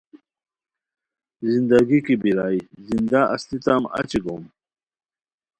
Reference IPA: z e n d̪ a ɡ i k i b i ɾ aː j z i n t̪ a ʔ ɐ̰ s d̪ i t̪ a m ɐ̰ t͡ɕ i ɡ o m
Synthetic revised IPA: z i n d̪ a ɡ i k i b i ɾ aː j z i n d̪ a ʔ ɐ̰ s t̪ i t̪ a m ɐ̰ t͡ɕ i ɡ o m